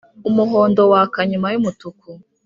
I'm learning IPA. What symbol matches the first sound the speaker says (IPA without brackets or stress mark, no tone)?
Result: u